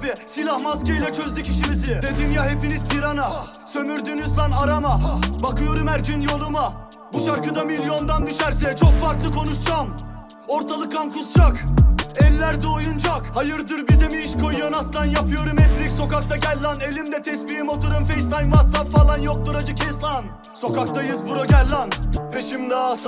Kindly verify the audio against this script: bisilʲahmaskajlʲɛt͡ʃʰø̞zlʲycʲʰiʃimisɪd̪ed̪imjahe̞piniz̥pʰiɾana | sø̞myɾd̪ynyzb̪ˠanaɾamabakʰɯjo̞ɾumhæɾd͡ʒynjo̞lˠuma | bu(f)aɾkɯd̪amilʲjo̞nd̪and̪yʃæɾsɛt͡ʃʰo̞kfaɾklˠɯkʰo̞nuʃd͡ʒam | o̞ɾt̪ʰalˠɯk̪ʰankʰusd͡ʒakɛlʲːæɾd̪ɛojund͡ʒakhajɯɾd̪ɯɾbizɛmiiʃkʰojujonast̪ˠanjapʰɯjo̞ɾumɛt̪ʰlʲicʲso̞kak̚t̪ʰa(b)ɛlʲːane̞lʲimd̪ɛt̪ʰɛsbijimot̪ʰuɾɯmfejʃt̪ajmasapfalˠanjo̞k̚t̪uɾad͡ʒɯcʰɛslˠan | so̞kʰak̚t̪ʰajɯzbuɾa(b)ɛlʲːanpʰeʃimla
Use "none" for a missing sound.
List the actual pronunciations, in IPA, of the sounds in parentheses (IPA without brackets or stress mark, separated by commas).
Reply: ʃ, ɟ, ɟ